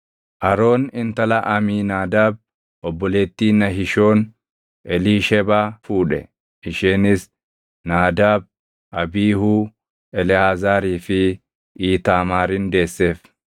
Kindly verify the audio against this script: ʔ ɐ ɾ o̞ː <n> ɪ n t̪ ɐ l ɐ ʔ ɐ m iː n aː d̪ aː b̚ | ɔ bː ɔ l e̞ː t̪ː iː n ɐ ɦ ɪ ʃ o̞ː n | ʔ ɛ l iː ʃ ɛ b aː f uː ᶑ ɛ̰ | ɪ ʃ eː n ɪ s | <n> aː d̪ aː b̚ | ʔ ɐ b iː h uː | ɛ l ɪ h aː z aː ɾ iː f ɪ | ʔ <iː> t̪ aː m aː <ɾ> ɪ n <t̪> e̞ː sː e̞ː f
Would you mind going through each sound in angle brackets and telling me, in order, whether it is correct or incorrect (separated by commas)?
correct, correct, correct, correct, incorrect